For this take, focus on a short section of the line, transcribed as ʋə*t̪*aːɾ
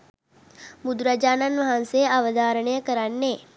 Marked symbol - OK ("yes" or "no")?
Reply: no